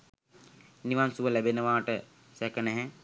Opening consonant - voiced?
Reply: yes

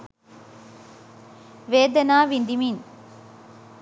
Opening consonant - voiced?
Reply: yes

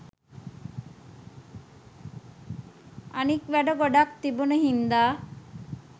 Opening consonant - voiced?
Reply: yes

